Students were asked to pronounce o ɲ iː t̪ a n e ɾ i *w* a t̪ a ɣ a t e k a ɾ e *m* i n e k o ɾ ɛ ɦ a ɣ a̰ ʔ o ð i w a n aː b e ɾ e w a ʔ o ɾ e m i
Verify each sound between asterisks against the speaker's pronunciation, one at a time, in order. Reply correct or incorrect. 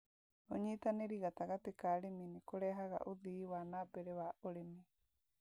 incorrect: ɣ, correct

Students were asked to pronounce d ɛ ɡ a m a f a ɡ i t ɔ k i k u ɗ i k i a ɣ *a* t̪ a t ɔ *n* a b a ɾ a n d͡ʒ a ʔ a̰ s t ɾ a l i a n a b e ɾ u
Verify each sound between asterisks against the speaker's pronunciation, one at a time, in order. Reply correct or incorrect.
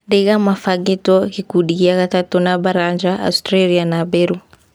correct, correct

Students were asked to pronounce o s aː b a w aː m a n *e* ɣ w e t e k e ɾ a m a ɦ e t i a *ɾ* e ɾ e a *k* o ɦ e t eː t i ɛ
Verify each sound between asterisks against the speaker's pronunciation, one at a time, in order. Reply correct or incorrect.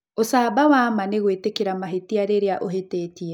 correct, correct, incorrect: ʔ

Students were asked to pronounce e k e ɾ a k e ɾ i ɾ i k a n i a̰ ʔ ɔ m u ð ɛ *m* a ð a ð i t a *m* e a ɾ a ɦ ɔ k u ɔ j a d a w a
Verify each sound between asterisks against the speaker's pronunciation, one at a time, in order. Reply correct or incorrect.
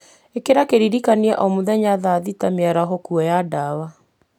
incorrect: ɲ, correct

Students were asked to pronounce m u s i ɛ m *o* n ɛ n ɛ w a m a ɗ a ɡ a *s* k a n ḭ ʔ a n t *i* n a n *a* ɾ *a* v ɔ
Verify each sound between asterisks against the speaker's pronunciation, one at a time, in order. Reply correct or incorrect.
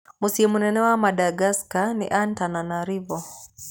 incorrect: u, correct, incorrect: a, correct, incorrect: i

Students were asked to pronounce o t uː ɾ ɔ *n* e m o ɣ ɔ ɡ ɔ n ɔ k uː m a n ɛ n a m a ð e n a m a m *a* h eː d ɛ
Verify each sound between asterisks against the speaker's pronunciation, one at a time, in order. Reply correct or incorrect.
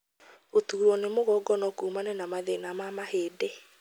correct, correct

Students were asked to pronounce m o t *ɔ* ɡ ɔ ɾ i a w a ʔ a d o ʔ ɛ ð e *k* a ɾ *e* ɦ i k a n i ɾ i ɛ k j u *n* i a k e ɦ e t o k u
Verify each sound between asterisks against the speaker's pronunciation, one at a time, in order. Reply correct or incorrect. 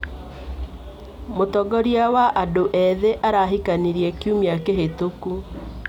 correct, incorrect: ʔ, incorrect: a, incorrect: m

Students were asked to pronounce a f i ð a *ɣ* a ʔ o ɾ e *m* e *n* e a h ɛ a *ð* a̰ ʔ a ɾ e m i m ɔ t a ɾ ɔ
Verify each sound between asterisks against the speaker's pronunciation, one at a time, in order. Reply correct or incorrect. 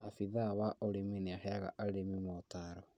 incorrect: w, correct, correct, incorrect: ɣ

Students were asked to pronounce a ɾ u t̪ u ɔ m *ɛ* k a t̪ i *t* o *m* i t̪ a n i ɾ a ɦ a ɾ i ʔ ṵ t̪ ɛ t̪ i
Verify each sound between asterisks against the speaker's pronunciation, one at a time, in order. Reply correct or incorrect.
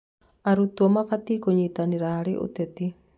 incorrect: a, incorrect: k, incorrect: ɲ

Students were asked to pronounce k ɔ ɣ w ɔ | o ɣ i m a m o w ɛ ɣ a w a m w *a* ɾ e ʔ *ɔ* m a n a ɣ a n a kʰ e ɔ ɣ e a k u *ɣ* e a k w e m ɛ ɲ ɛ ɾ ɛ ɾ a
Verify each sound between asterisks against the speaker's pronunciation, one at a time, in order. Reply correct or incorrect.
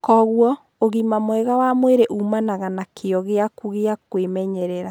incorrect: e, incorrect: u, correct

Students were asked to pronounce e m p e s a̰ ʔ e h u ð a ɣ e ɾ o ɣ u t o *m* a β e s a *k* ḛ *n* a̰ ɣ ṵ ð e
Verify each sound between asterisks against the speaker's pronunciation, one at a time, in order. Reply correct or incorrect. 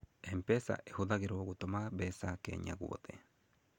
correct, correct, incorrect: ɲ

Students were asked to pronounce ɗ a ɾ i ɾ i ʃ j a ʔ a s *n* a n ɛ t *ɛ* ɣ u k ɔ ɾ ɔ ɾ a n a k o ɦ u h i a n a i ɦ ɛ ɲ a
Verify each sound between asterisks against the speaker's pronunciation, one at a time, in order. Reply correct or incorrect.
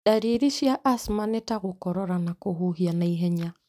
incorrect: m, incorrect: a

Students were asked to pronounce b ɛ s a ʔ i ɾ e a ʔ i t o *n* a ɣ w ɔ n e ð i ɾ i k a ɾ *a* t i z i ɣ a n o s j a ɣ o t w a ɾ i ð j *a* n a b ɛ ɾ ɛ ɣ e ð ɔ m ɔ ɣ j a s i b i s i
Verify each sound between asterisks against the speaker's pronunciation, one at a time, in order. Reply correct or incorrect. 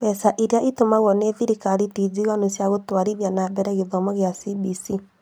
incorrect: m, incorrect: i, correct

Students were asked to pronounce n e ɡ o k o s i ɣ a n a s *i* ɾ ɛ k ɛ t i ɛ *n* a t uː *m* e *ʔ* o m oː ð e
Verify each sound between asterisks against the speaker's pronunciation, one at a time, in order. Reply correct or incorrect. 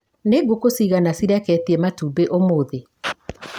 correct, incorrect: m, incorrect: b, correct

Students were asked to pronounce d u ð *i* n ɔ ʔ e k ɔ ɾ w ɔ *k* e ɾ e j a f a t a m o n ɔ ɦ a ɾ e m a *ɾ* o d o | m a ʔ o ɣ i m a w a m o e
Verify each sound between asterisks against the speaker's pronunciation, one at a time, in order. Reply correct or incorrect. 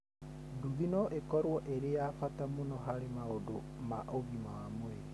correct, incorrect: ʔ, incorrect: none

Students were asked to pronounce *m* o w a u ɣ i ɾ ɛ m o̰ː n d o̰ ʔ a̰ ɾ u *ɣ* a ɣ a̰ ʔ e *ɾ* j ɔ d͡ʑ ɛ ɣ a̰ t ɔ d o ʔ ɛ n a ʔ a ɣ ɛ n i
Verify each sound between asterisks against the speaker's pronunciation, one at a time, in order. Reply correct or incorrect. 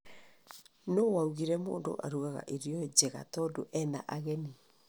incorrect: n, correct, correct

